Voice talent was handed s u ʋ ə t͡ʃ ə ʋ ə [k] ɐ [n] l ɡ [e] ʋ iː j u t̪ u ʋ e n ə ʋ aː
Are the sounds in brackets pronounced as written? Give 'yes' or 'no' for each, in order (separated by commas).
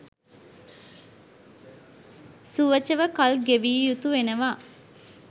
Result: yes, no, yes